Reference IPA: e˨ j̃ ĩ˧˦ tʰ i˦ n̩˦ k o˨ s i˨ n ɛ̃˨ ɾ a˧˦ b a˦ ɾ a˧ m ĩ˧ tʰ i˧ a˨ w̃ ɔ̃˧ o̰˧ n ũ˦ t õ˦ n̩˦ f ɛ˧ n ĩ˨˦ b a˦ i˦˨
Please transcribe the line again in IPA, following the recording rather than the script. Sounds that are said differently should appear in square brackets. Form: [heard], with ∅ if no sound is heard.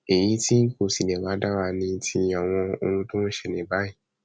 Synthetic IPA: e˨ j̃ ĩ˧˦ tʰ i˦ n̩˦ k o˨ s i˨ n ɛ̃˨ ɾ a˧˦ [d] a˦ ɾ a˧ [n] ĩ˧ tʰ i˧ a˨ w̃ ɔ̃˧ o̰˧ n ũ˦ t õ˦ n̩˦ [ʃ] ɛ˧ n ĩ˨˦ b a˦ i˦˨